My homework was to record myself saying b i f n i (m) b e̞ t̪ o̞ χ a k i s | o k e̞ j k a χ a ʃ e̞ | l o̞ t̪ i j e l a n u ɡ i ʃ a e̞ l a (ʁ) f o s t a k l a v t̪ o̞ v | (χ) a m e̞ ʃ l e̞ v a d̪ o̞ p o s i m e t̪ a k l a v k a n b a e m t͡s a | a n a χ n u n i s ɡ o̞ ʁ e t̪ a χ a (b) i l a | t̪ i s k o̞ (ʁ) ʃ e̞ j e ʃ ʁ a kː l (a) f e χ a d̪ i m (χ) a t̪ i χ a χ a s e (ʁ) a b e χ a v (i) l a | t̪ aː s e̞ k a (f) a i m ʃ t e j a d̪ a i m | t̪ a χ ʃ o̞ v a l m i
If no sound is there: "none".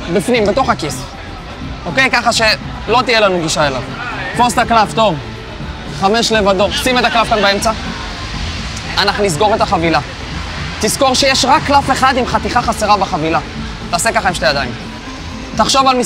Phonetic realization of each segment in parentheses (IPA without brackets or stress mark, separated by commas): m, v, χ, v, ʁ, a, χ, ʁ, i, χ